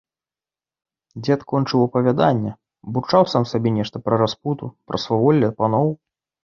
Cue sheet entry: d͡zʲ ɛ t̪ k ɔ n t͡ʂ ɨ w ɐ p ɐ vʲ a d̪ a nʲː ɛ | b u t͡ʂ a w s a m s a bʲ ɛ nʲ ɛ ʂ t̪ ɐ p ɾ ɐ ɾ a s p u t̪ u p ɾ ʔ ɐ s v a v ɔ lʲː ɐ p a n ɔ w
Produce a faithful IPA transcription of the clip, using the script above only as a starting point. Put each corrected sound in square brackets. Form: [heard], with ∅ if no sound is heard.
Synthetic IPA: d͡zʲ ɛ t̪ k ɔ n t͡ʂ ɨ w ɐ p ɐ vʲ a d̪ a nʲː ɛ | b u t͡ʂ a w s a m s a bʲ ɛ nʲ ɛ ʂ t̪ ɐ p ɾ ɐ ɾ a s p u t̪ u p ɾ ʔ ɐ s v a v ɔ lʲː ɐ p a n ɔ w